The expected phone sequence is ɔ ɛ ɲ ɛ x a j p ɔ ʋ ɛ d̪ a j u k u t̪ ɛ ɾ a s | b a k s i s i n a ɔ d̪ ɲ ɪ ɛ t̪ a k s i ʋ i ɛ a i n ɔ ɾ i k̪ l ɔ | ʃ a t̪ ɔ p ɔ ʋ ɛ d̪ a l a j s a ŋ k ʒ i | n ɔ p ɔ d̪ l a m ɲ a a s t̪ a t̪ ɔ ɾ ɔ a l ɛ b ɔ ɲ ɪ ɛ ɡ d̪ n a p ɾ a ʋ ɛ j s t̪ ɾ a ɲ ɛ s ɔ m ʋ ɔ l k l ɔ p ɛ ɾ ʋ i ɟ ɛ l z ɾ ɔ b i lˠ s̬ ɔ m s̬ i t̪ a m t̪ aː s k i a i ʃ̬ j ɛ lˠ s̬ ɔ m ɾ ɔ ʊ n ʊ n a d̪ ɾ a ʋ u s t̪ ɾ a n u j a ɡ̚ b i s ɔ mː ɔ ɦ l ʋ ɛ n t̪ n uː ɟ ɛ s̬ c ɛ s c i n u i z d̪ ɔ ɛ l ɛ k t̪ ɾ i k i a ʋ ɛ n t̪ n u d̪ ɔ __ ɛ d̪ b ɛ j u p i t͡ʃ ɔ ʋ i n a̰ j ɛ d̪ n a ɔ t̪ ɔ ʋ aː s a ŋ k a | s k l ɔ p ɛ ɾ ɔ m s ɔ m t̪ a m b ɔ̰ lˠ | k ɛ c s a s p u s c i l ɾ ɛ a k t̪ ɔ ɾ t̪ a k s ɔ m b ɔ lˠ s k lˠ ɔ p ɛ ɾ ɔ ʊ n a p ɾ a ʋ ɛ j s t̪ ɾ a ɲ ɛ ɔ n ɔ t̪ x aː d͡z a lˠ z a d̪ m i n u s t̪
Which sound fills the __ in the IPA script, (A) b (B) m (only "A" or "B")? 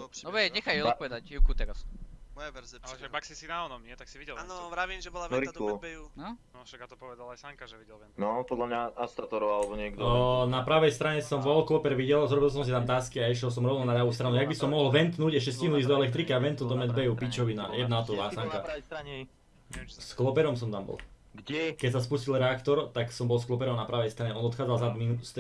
B